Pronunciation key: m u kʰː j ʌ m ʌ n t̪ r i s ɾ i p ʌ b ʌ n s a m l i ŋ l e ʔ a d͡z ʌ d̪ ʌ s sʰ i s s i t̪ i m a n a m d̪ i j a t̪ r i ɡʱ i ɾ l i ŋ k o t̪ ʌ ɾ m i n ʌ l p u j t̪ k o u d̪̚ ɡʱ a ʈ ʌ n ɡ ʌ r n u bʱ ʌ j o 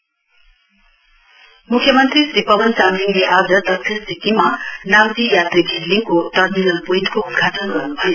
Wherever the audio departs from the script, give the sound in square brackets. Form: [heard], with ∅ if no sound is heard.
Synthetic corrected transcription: m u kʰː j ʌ m ʌ n t̪ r i s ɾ i p ʌ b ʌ n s a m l i ŋ l e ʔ a d͡z ʌ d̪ ʌ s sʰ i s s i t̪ i m a n a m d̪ i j a t̪ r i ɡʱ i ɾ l i ŋ k o t̪ ʌ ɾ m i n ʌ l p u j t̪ k o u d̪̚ ɡʱ a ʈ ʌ n ɡ ʌ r n u bʱ ʌ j o